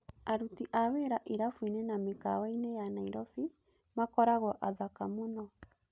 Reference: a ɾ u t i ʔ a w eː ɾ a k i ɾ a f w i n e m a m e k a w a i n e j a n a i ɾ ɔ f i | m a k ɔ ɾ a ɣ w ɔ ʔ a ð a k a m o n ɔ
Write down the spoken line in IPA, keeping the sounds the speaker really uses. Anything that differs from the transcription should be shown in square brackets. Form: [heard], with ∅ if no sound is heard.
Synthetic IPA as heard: a ɾ u t i ʔ a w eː ɾ a [ʔ] i ɾ a f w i n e [n] a m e k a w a i n e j a n a i ɾ ɔ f i | m a k ɔ ɾ a ɣ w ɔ ʔ a ð a k a m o n ɔ